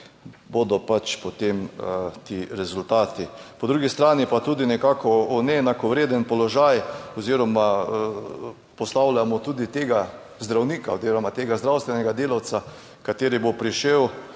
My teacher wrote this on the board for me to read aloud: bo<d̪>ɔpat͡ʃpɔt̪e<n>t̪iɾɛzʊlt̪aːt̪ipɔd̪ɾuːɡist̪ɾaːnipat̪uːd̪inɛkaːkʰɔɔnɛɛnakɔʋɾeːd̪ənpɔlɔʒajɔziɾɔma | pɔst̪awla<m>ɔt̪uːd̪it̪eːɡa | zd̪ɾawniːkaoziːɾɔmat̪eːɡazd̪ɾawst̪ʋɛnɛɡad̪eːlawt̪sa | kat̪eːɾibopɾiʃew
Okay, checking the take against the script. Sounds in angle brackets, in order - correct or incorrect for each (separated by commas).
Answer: correct, incorrect, correct